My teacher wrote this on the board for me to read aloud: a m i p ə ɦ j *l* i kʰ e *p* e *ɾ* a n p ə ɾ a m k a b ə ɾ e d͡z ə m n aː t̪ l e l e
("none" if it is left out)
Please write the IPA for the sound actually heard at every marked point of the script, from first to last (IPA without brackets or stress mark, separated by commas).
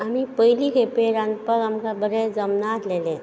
l, p, ɾ